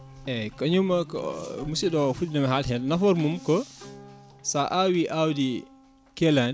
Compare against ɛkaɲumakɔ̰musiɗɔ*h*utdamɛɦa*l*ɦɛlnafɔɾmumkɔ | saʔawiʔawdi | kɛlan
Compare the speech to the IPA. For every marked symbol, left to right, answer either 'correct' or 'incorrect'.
incorrect: f, correct

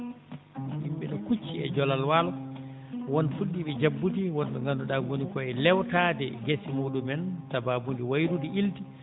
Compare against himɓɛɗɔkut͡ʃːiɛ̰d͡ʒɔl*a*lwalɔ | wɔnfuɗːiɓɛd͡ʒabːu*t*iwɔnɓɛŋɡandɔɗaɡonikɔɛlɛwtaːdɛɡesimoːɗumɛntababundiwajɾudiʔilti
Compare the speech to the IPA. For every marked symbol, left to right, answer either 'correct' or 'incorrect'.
correct, correct

